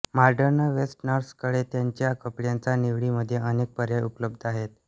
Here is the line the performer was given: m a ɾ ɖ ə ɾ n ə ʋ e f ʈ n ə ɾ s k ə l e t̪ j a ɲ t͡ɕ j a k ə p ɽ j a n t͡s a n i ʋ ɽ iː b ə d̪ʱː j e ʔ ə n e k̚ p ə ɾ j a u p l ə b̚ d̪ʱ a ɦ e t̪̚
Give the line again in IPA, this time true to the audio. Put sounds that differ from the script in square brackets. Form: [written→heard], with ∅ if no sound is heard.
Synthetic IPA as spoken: m a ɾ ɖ ə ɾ n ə ʋ e [f→s] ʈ n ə ɾ s k ə [l→ɽ] e t̪ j a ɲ t͡ɕ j a k ə p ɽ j a n t͡s a n i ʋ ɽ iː [b→m] ə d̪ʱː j e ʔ ə n e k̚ p ə ɾ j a u p l ə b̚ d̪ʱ a ɦ e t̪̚